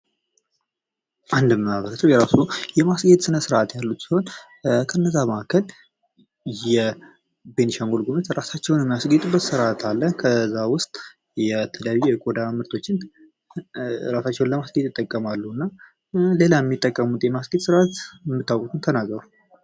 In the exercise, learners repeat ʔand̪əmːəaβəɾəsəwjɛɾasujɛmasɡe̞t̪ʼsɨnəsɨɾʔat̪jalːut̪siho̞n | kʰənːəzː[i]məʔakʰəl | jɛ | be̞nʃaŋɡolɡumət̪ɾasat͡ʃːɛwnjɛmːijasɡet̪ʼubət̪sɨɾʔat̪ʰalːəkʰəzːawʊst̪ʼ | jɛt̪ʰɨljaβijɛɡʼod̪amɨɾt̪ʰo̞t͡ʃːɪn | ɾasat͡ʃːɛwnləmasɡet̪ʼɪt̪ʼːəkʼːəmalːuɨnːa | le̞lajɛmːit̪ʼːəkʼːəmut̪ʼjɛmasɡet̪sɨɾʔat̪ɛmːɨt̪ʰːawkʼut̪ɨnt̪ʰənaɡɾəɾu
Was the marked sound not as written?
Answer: yes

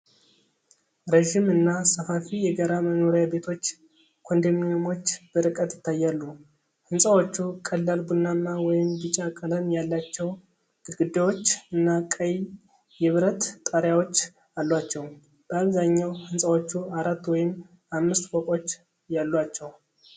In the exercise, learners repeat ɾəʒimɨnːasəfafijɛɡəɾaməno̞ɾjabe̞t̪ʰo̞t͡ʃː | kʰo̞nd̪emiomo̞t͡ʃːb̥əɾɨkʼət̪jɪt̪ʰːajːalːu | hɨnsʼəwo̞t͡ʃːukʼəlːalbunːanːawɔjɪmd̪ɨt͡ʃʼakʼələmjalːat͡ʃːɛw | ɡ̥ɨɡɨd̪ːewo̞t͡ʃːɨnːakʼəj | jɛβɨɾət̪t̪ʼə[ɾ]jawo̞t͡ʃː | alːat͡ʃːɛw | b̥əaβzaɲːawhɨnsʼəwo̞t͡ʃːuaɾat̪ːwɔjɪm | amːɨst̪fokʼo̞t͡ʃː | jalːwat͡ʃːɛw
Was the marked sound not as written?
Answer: no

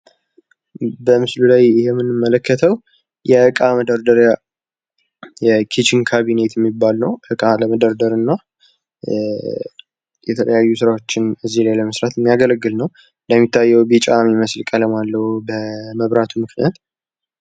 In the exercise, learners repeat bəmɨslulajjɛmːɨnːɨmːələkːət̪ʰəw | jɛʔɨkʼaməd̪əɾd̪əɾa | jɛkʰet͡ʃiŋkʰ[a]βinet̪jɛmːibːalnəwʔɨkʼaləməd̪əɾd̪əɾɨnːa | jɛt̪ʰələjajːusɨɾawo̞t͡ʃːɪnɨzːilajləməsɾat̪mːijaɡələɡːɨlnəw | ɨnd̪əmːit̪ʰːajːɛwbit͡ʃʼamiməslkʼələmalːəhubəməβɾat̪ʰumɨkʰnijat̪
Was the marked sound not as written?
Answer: no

